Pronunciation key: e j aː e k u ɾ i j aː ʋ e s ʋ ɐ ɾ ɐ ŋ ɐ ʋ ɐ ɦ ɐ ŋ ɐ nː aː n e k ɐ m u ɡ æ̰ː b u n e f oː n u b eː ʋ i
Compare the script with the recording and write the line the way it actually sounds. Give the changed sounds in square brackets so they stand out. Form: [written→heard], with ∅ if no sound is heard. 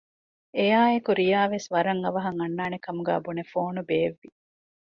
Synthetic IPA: e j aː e k u ɾ i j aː ʋ e s ʋ ɐ ɾ ɐ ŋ ɐ ʋ ɐ ɦ ɐ ŋ ɐ nː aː n e k ɐ m u ɡ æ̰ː b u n e f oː n u b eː [ʋ→ʋː] i